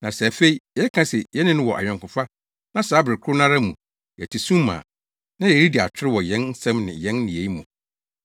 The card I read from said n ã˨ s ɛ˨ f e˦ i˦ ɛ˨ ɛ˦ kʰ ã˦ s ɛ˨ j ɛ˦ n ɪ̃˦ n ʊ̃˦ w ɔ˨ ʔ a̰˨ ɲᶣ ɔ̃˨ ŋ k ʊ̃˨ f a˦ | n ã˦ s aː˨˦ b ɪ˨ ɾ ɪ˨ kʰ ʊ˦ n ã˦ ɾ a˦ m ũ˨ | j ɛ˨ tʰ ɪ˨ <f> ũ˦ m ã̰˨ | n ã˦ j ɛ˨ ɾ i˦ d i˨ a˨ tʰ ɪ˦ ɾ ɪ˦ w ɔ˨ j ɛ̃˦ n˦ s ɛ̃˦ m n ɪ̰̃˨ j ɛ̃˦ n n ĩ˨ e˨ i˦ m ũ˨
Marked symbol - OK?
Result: no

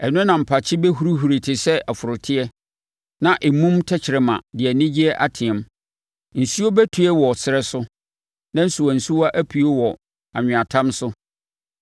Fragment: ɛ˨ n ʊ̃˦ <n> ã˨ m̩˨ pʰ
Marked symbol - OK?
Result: yes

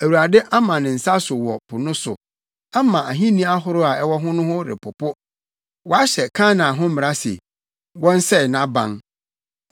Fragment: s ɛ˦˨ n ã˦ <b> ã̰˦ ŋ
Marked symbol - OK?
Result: yes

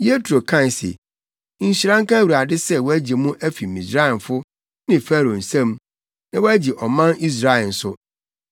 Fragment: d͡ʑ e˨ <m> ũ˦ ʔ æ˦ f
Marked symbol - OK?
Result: yes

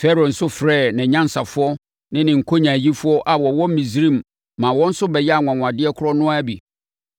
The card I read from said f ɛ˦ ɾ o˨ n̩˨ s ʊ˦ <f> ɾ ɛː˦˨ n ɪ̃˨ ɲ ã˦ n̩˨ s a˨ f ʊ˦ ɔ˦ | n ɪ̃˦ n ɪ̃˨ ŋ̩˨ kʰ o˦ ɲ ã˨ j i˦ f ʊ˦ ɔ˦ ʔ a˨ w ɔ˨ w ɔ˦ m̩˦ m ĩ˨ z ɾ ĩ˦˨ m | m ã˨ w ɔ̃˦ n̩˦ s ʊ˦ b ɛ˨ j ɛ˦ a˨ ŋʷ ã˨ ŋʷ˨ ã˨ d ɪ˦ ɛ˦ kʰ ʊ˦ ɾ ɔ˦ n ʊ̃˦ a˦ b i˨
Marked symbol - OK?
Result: yes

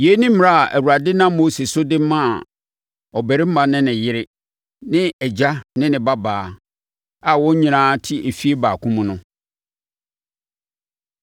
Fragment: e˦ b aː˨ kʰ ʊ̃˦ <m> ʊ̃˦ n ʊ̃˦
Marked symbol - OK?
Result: yes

